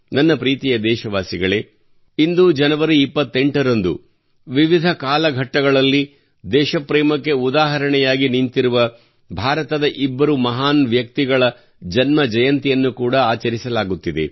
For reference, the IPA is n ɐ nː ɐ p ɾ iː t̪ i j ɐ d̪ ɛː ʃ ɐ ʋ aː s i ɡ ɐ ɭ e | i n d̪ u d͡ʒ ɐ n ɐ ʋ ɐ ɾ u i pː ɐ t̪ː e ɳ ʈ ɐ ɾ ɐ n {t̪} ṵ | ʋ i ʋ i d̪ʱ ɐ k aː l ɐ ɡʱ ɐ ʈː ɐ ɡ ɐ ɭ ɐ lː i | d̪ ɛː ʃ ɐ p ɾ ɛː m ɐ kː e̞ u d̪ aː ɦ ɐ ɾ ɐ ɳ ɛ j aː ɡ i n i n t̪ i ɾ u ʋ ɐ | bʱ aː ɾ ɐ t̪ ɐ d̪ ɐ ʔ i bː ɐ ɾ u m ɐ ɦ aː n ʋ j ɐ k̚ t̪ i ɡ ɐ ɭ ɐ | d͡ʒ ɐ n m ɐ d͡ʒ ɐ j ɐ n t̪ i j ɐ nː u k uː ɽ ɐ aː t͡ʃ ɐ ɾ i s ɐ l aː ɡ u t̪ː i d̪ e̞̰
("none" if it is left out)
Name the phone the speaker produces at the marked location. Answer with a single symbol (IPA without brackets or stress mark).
d̪